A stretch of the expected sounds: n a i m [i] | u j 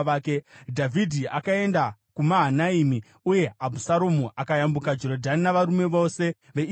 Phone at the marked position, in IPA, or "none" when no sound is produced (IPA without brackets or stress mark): i